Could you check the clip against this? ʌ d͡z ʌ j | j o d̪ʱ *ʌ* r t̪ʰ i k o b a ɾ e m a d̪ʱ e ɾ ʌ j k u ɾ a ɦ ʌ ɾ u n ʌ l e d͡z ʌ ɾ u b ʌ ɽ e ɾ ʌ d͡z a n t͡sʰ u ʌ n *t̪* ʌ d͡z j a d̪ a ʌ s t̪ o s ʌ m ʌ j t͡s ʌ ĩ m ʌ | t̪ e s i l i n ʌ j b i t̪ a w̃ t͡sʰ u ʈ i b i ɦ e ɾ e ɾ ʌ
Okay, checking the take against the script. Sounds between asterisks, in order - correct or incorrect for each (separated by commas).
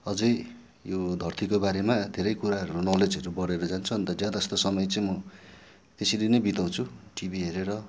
correct, correct